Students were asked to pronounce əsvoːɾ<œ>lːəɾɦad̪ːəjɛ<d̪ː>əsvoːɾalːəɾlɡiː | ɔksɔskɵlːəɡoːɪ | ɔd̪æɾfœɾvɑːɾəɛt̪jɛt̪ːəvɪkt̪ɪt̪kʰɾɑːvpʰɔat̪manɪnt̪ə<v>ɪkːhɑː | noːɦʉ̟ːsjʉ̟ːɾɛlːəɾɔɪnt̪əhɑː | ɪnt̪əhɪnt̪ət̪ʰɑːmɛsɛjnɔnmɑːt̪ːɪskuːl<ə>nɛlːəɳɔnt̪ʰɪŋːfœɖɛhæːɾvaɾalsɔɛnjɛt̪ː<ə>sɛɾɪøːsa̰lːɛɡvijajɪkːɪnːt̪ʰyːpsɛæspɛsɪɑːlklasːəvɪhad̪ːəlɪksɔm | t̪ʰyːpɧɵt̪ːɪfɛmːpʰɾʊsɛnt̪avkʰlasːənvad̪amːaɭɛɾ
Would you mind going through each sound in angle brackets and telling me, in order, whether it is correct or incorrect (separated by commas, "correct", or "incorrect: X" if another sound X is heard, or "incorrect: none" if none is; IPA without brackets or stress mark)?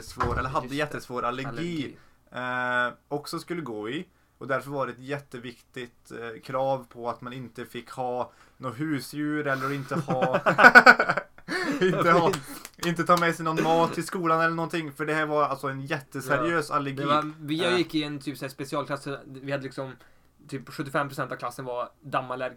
incorrect: ɛ, incorrect: t̪ː, incorrect: f, incorrect: a, correct